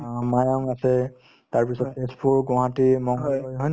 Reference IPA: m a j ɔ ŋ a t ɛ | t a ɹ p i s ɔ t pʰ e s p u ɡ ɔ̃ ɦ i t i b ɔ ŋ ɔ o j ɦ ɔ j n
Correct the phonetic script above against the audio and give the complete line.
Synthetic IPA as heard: m a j ɔ ŋ a s ɛ | t a ɹ p i s ɔ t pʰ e s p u ɡ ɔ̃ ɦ a t i m ɔ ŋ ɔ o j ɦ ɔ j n